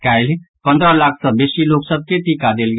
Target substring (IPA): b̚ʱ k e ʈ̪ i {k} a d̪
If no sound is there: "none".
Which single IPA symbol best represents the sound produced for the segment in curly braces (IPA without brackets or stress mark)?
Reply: k